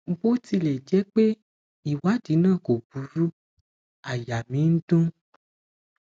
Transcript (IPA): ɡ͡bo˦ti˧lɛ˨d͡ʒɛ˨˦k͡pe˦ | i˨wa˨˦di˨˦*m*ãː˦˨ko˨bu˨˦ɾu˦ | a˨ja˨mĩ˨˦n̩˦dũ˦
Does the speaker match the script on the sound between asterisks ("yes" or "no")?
no